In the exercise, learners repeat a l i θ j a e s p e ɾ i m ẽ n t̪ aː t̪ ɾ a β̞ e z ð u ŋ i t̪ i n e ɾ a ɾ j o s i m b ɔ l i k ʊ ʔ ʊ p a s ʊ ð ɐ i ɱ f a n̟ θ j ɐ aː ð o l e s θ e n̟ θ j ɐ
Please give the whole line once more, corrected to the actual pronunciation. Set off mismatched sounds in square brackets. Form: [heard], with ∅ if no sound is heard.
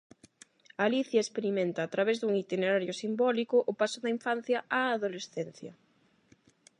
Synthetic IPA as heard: a l i θ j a e s p e ɾ i m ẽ n t̪ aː t̪ ɾ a β̞ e z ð u ŋ i t̪ i n e ɾ a ɾ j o s i m b ɔ l i k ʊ ʔ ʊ p a s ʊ ð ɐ i ɱ f a n̟ θ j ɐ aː ð o l e s θ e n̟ θ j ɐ